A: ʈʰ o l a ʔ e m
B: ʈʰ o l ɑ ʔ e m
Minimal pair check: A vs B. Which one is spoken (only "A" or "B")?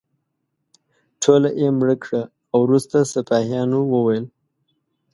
A